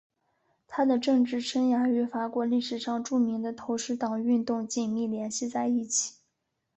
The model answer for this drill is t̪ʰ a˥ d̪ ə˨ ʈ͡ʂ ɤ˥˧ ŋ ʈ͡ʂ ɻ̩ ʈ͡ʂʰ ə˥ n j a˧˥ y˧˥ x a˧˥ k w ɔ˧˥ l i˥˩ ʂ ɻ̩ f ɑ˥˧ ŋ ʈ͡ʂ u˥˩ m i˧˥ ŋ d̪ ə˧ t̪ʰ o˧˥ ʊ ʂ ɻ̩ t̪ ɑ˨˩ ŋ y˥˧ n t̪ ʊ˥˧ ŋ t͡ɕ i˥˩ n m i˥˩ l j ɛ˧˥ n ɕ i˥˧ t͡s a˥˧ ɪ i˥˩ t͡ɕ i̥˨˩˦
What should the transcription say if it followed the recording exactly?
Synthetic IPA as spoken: t̪ʰ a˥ d̪ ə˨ ʈ͡ʂ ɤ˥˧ ŋ ʈ͡ʂ ɻ̩ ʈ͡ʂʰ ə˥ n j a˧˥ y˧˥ f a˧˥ k w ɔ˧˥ l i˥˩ ʂ ɻ̩ ʂ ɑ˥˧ ŋ ʈ͡ʂ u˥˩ m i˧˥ ŋ d̪ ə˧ t̪ʰ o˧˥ ʊ ʂ ɻ̩ t̪ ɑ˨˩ ŋ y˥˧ n t̪ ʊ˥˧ ŋ t͡ɕ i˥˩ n m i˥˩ l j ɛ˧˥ n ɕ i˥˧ t͡s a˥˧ ɪ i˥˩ t͡ɕʰ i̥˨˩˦